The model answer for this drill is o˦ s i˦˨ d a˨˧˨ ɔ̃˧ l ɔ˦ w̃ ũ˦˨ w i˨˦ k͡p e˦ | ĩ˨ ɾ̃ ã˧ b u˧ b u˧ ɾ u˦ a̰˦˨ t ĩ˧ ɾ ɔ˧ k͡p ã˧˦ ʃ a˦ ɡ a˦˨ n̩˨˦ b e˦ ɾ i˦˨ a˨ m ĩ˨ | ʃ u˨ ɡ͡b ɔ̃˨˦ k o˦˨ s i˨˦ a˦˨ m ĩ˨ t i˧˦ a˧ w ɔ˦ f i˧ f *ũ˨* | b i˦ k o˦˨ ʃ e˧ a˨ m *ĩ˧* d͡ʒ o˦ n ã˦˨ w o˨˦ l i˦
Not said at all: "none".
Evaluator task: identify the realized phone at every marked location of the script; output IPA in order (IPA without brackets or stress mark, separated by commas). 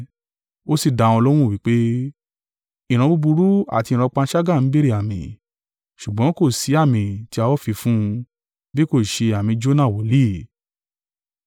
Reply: ũ˦˧, ĩ˧